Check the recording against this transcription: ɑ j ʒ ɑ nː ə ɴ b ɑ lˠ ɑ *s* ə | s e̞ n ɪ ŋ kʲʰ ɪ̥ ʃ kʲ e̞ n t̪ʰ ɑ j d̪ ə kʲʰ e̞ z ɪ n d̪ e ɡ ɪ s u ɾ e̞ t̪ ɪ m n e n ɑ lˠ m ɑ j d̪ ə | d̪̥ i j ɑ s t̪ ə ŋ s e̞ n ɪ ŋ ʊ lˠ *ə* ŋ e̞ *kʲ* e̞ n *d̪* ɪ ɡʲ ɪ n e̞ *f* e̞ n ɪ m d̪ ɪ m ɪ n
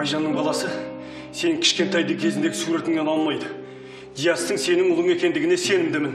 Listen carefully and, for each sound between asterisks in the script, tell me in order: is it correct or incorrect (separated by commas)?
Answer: correct, correct, correct, correct, incorrect